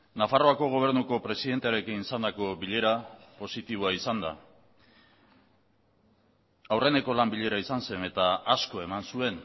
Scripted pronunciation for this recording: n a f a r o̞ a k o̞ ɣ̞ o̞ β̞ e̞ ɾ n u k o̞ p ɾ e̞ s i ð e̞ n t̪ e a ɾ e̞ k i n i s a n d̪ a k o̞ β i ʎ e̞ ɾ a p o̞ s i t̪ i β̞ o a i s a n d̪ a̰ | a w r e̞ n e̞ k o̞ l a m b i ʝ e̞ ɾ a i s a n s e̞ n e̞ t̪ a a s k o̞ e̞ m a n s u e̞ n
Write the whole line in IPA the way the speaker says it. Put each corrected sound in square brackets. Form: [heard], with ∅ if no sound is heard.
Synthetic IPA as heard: n a f a r o̞ a k o̞ ɣ̞ o̞ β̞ e̞ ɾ n u k o̞ p ɾ e̞ s i ð e̞ n t̪ e a ɾ e̞ k i n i s a n d̪ a k o̞ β i ʎ e̞ ɾ a p o̞ s i t̪ i β̞ o a i s a n d̪ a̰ | a w r e̞ n e̞ k o̞ l a m b i [ʎ] e̞ ɾ a i s a n s e̞ n e̞ t̪ a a s k o̞ e̞ m a n s u e̞ n

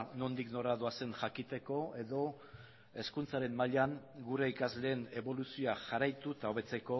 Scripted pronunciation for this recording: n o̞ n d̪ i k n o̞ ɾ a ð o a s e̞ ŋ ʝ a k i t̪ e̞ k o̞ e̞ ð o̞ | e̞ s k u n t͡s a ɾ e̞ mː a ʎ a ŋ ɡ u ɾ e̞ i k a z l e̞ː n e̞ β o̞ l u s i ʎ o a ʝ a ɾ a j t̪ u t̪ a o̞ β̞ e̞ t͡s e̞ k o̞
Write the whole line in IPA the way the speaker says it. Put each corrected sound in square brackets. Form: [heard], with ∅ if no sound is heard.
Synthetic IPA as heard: n o̞ n d̪ i k n o̞ ɾ a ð o a s e̞ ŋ ʝ a k i t̪ e̞ k o̞ e̞ ð o̞ | e̞ s k u n t͡s a ɾ e̞ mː a ʎ a ŋ ɡ u ɾ e̞ i k a z l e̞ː n e̞ β o̞ l u s i [∅] o a ʝ a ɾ a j t̪ u t̪ a o̞ β̞ e̞ t͡s e̞ k o̞

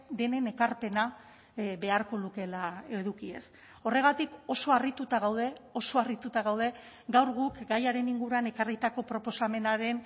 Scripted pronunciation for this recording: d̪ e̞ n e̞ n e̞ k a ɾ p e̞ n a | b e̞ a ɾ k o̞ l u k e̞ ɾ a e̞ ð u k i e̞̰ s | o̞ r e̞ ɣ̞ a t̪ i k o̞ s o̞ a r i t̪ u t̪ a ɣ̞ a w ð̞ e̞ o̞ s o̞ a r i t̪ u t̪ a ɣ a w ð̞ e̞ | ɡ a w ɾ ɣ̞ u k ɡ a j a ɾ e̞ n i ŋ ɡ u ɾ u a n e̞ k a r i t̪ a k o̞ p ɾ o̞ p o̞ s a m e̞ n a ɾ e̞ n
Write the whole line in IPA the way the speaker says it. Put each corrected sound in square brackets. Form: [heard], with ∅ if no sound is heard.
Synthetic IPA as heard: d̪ e̞ n e̞ n e̞ k a ɾ p e̞ n a | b e̞ a ɾ k o̞ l u k e̞ [l] a e̞ ð u k i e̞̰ s | o̞ r e̞ ɣ̞ a t̪ i k o̞ s o̞ a r i t̪ u t̪ a ɣ̞ a w ð̞ e̞ o̞ s o̞ a r i t̪ u t̪ a ɣ a w ð̞ e̞ | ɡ a w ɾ ɣ̞ u k ɡ a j a ɾ e̞ n i ŋ ɡ u ɾ u a n e̞ k a r i t̪ a k o̞ p ɾ o̞ p o̞ s a m e̞ n a ɾ e̞ n

